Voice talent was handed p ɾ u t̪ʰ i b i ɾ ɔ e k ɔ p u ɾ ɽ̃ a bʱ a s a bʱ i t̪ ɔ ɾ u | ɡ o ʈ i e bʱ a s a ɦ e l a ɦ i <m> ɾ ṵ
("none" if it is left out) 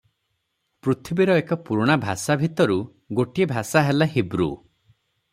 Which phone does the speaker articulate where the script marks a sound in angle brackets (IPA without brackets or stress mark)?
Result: b